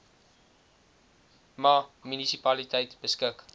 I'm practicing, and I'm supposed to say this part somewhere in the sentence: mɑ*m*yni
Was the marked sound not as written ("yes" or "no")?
no